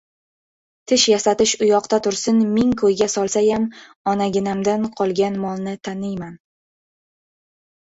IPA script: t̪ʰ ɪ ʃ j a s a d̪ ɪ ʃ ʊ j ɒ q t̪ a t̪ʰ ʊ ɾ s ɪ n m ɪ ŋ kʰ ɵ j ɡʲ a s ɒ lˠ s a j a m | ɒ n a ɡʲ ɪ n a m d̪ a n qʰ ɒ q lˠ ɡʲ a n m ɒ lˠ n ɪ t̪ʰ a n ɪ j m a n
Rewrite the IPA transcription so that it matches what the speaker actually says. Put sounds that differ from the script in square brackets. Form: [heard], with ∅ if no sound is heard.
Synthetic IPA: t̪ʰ ɪ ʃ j a s a [t̪] ɪ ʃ ʊ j ɒ q t̪ a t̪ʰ ʊ ɾ s ɪ n m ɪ ŋ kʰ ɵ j ɡʲ a s ɒ lˠ s a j a m | ɒ n a ɡʲ ɪ n a m d̪ a n qʰ ɒ [∅] lˠ ɡʲ a n m ɒ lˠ n ɪ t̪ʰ a n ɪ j m a n